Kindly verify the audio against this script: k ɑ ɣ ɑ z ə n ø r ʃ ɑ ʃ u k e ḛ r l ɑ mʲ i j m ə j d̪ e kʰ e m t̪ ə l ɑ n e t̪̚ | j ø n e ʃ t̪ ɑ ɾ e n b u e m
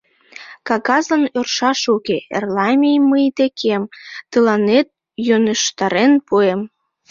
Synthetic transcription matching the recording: k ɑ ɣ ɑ z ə n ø r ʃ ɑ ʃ u k e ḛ r l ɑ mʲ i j m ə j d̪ e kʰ e m t̪ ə l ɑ n e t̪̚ | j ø n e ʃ t̪ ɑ ɾ e n p u e m